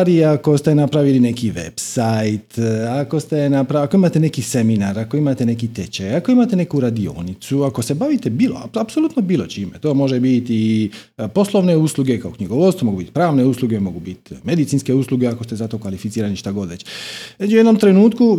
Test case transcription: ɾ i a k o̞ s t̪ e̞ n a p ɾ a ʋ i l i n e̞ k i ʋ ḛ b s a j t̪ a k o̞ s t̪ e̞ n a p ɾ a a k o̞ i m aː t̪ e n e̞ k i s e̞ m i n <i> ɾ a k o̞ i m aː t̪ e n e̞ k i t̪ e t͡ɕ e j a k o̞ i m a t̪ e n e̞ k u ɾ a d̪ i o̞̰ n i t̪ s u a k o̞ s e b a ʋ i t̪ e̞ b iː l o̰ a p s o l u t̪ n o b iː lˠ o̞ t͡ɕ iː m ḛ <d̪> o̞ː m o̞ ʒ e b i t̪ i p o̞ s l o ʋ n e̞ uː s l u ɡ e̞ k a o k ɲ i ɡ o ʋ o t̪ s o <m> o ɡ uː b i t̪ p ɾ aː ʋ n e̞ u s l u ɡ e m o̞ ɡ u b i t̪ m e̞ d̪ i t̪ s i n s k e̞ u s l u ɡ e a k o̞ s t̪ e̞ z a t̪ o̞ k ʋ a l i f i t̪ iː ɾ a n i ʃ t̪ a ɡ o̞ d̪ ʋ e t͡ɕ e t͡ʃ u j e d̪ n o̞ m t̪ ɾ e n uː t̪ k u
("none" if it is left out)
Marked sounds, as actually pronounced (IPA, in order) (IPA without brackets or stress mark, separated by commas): a, t̪, m